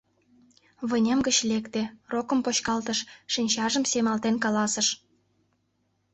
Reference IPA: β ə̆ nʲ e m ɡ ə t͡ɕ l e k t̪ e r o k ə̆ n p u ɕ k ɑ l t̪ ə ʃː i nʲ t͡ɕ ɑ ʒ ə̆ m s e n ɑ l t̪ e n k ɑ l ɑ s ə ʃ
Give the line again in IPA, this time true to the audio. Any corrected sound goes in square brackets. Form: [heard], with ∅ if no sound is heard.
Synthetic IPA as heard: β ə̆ nʲ e m ɡ ə t͡ɕ l e k t̪ e r o k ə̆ [m] p [o] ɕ k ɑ l t̪ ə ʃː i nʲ t͡ɕ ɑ ʒ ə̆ m s e [m] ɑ l t̪ e n k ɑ l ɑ s ə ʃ